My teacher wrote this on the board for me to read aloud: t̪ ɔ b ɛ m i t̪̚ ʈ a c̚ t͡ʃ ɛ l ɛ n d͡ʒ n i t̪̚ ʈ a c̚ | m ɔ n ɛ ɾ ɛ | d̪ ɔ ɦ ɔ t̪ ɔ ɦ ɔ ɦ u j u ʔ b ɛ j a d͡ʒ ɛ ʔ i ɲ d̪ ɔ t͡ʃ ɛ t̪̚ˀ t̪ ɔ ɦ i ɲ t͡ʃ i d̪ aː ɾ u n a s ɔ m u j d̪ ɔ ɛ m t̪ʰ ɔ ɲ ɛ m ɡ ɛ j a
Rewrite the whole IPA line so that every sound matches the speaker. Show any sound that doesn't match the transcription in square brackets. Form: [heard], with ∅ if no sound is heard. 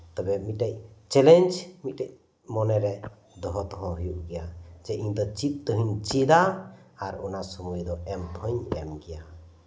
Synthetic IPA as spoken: t̪ ɔ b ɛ m i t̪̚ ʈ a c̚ t͡ʃ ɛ l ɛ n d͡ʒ [m] i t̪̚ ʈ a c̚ | m ɔ n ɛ ɾ ɛ | d̪ ɔ ɦ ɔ t̪ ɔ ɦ ɔ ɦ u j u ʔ [ɡ] ɛ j a d͡ʒ ɛ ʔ i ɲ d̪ ɔ t͡ʃ [i] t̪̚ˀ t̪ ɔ ɦ i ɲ t͡ʃ i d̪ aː ɾ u n a s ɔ m u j d̪ ɔ ɛ m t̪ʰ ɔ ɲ ɛ m ɡ ɛ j a